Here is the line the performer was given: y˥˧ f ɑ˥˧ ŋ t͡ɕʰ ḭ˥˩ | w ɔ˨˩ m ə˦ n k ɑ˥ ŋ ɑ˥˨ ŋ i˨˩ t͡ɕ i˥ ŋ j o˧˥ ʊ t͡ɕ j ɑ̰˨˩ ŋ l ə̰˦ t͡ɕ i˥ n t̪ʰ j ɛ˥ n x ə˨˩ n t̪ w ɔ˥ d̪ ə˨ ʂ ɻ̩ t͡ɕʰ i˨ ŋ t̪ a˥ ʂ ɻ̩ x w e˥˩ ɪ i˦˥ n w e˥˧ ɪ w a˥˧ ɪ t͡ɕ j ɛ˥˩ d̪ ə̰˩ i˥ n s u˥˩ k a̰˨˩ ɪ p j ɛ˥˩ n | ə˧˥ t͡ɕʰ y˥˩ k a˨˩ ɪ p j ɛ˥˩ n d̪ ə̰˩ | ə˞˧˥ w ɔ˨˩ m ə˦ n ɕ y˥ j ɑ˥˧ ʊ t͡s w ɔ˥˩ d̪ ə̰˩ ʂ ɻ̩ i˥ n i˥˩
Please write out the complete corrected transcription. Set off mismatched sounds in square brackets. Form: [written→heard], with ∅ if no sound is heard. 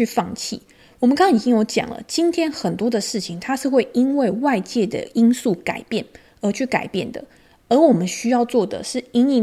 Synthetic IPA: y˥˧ f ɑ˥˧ ŋ t͡ɕʰ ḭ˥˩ | w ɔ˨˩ m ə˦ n k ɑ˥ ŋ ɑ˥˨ ŋ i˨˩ t͡ɕ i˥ ŋ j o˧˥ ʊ t͡ɕ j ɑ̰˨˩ ŋ l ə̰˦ t͡ɕ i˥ n t̪ʰ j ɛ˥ n x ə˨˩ n t̪ w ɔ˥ d̪ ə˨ ʂ ɻ̩ t͡ɕʰ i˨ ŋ [t̪→t̪ʰ] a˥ ʂ ɻ̩ x w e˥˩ ɪ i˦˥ n w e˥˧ ɪ w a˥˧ ɪ t͡ɕ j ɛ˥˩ d̪ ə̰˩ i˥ n s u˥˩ k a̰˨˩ ɪ p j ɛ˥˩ n | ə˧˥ t͡ɕʰ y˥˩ k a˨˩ ɪ p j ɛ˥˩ n d̪ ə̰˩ | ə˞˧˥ w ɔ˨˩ m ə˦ n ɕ y˥ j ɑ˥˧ ʊ t͡s w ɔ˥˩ d̪ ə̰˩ ʂ ɻ̩ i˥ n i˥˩